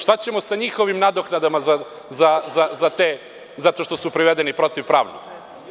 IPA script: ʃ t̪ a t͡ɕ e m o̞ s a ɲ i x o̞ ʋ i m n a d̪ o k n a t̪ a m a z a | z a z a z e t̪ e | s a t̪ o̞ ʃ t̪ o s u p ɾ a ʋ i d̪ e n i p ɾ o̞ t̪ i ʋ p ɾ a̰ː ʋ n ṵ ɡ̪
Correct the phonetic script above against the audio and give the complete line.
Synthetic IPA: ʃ t̪ a t͡ɕ e m o̞ s a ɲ i x o̞ ʋ i m n a d̪ o k n a d̪ a m a z a | z a z a z a t̪ e | z a t̪ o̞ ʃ t̪ o s u p ɾ i ʋ e d̪ e n i p ɾ o̞ t̪ i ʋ p ɾ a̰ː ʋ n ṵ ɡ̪